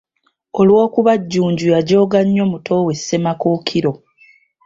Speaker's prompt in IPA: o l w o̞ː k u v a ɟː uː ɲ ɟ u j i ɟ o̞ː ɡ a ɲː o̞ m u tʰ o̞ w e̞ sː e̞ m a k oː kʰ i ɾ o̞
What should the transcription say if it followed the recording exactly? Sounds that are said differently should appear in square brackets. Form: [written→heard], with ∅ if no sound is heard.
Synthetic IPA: o l w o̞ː k u [v→β] a ɟː uː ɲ ɟ u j [i→a] ɟ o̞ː ɡ a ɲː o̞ m u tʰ o̞ w e̞ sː e̞ m a k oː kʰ i ɾ o̞